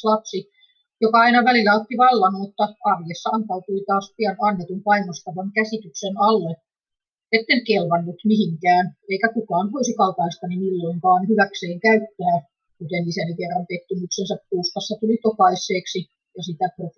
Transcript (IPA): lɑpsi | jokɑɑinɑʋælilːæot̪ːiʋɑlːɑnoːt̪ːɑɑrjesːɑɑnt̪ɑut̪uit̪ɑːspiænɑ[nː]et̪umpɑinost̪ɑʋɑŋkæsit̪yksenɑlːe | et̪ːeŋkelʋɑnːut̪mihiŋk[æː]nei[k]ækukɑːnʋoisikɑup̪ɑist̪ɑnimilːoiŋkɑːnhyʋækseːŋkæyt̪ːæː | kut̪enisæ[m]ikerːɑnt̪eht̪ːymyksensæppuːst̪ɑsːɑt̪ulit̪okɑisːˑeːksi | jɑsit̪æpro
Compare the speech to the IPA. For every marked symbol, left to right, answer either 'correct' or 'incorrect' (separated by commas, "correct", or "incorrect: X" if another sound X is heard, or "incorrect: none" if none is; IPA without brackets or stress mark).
correct, correct, correct, incorrect: n